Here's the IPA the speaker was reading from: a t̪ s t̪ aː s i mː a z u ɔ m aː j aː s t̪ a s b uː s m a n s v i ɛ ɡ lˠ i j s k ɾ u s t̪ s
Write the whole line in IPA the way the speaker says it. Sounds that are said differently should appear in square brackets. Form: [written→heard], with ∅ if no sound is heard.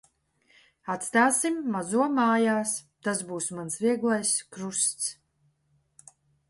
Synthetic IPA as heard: a t̪ s t̪ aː s i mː a z u ɔ m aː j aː s t̪ a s b uː s m a n s v i ɛ ɡ lˠ [i→a] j s k ɾ u s t̪ s

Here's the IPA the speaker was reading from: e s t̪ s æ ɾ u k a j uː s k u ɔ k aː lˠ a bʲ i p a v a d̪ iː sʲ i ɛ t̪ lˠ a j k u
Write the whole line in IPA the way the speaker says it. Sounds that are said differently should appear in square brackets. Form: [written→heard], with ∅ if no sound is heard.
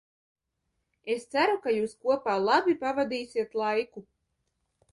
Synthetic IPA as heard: e s t̪ s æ ɾ u k a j uː s k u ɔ [k→p] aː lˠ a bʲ i p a v a d̪ iː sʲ i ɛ t̪ lˠ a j k u

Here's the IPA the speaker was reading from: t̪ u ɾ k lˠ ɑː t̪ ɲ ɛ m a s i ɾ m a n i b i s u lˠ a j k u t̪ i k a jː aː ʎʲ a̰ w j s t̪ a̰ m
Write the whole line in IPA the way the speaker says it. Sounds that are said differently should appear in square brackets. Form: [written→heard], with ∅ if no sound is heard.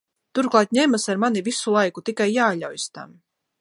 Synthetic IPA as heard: t̪ u ɾ k lˠ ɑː t̪ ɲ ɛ m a s [i→a] ɾ m a n i [b→v] i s u lˠ a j k u t̪ i k a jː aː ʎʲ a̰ w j s t̪ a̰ m

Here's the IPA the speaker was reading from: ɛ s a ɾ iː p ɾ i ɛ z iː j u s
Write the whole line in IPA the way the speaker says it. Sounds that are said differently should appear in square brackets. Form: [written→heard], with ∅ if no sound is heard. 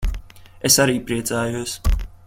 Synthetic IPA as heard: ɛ s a ɾ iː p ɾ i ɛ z [iː→aː] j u s

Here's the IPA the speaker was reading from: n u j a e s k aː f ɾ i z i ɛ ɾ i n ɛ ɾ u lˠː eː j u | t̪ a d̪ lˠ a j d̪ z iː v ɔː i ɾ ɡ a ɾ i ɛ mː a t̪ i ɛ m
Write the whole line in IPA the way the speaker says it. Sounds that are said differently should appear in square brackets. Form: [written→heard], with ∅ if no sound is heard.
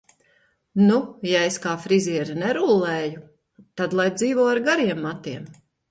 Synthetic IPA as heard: n u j a e s k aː f ɾ i z i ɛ ɾ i n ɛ ɾ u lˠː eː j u | t̪ a d̪ lˠ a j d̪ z iː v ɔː [i→a] ɾ ɡ a ɾ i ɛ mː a t̪ i ɛ m

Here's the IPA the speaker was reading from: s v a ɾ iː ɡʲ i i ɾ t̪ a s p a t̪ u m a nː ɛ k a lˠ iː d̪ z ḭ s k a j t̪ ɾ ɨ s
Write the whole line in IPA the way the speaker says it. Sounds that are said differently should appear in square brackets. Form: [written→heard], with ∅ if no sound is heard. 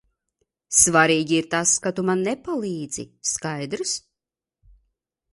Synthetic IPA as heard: s v a ɾ iː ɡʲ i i ɾ t̪ a s [p→k] a t̪ u m a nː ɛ [k→p] a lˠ iː d̪ z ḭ s k a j [t̪→d̪] ɾ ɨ s

